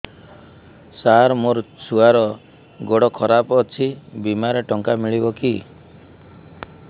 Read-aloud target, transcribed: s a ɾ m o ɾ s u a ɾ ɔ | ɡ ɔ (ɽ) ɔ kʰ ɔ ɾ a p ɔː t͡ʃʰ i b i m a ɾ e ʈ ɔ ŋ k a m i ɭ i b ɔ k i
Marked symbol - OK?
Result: yes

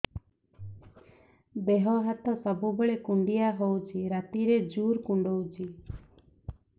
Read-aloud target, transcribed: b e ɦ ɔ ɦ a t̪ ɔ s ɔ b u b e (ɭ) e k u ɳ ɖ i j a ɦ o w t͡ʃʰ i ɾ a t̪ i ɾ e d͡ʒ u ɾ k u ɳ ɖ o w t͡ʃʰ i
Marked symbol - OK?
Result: yes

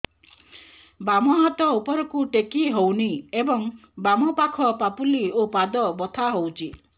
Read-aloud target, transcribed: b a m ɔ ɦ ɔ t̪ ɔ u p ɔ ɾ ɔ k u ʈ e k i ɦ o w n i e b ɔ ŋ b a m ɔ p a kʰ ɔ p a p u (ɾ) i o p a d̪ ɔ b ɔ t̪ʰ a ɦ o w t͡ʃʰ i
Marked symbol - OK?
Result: no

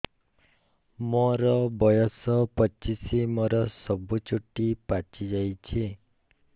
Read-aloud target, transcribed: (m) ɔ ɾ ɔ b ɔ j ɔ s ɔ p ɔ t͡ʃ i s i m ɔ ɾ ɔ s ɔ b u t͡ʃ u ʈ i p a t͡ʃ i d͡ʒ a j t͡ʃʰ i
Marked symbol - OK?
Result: yes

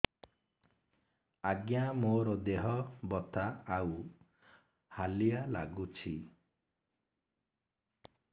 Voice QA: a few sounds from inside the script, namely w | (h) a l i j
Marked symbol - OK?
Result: yes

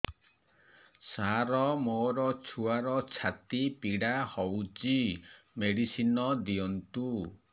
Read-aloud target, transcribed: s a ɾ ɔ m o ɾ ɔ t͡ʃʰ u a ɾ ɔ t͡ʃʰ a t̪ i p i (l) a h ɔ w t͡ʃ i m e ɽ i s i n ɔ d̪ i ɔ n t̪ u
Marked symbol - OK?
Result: no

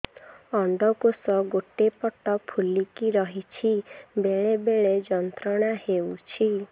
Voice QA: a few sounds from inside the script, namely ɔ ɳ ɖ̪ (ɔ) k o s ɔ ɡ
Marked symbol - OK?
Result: yes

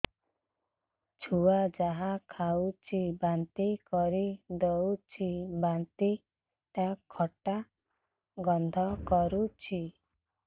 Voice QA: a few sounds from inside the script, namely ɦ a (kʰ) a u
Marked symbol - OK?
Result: yes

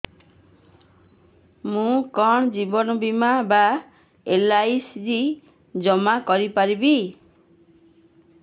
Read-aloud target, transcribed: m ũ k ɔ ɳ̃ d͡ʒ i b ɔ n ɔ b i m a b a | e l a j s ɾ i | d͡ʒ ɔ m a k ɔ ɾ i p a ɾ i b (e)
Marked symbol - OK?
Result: no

